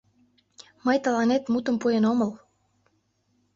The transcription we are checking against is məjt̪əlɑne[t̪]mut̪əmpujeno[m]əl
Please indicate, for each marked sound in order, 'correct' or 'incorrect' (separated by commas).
correct, correct